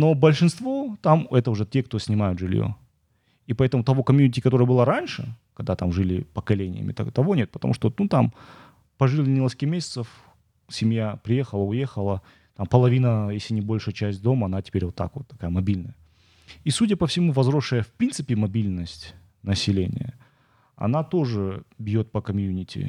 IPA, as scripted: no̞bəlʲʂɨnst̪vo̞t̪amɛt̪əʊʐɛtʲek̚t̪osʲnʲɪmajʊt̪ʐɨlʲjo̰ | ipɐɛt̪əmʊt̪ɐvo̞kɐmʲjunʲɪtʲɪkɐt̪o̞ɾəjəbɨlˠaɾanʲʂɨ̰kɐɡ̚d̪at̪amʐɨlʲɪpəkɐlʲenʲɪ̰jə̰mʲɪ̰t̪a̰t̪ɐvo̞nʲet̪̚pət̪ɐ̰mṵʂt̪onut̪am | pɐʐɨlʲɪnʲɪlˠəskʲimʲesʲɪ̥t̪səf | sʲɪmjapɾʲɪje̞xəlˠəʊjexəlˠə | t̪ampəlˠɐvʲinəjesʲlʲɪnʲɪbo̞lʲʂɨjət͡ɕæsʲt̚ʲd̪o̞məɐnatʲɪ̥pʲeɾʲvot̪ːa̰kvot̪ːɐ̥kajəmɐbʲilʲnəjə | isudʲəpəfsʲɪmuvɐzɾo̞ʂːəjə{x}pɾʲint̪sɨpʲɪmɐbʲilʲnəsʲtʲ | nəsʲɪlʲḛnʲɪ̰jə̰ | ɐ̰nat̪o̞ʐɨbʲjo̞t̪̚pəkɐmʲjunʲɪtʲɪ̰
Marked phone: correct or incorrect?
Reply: incorrect